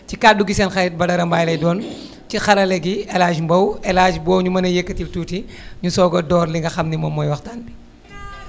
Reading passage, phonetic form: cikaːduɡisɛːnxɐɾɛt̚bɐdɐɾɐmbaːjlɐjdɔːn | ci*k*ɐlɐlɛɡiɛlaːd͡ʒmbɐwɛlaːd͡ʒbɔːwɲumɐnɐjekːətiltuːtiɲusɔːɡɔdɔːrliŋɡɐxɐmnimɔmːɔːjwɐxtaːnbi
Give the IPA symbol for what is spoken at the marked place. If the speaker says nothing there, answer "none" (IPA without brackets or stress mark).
x